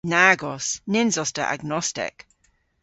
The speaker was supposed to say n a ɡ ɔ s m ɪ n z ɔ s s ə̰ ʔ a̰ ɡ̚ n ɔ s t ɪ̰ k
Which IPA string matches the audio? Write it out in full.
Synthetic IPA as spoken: n a ɡ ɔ s n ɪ n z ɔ s t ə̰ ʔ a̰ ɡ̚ n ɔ s t ɪ̰ k